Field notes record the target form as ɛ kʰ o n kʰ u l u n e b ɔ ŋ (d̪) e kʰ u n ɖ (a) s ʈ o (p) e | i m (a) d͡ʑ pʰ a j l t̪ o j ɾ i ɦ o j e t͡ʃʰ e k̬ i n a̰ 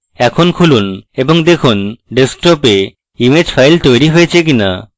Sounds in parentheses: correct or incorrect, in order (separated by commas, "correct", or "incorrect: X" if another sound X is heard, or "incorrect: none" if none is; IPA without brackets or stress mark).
correct, incorrect: e, correct, incorrect: e